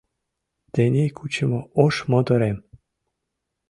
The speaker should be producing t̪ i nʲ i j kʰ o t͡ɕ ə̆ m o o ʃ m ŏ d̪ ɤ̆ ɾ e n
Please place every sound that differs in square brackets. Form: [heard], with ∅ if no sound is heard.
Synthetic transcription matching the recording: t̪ [e] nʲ [e] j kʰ [u] t͡ɕ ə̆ m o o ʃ m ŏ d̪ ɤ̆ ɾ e [m]